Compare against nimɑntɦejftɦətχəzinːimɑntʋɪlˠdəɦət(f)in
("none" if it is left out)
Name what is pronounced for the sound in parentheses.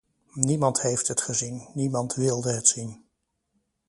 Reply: s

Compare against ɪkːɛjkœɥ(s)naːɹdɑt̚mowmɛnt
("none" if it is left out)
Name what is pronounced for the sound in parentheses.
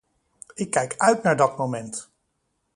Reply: t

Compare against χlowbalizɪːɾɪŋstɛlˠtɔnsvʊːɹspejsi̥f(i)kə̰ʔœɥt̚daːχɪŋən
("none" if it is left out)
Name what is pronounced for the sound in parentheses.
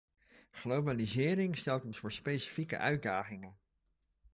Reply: i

